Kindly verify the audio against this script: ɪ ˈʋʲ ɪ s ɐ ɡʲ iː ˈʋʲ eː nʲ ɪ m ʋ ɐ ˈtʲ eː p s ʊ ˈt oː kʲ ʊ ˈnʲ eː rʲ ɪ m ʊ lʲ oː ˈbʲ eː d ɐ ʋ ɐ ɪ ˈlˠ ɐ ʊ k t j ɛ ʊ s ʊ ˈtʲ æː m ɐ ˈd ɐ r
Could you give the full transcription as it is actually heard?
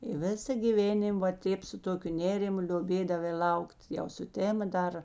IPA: ɪ ˈʋʲ ɪ s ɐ ɡʲ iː ˈʋʲ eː nʲ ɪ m ʋ ɐ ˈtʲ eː p s ʊ ˈt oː kʲ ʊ ˈnʲ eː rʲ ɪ m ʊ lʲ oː ˈbʲ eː d ɐ ʋ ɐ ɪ ˈlˠ ɐ ʊ k t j ɛ ʊ s ʊ ˈtʲ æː m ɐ ˈd ɐ r